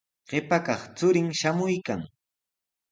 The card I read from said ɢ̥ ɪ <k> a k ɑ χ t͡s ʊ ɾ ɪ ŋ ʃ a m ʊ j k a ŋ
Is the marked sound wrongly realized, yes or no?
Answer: yes